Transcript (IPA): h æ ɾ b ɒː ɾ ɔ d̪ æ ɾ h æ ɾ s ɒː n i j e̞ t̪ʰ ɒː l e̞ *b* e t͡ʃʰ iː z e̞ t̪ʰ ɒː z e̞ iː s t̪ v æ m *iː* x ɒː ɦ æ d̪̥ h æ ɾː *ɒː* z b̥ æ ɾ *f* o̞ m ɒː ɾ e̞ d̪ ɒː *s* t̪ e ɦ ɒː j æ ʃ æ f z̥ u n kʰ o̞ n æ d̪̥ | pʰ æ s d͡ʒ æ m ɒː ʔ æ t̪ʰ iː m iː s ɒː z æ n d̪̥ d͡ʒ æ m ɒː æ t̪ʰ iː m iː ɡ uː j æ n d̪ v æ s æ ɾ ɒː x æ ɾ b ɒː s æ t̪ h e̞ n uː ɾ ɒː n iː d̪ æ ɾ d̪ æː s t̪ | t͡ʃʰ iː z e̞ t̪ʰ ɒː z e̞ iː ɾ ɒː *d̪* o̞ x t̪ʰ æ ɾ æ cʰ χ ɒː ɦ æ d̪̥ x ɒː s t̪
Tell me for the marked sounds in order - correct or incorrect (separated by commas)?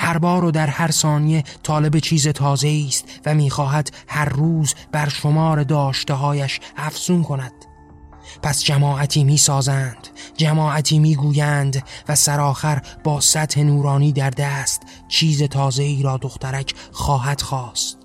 correct, correct, incorrect, incorrect, incorrect, correct